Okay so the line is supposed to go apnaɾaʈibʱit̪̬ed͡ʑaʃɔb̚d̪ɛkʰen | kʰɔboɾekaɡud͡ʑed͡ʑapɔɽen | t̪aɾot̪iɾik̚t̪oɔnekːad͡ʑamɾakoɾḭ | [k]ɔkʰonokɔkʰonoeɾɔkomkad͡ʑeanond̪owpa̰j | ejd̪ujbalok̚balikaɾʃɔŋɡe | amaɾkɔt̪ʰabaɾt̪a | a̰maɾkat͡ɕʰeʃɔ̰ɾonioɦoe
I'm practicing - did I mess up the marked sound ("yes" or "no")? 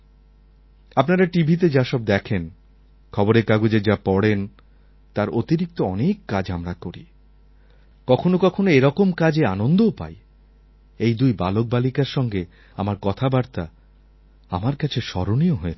no